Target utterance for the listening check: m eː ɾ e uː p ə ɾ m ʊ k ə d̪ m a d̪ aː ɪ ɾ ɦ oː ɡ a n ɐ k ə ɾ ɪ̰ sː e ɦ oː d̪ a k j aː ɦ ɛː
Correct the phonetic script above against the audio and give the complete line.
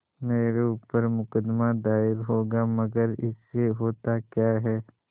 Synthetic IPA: m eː ɾ e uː p ə ɾ m ʊ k ə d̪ m a d̪ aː ɪ ɾ ɦ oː ɡ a m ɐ ɡ ə ɾ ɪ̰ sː e ɦ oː t̪ a k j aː ɦ ɛː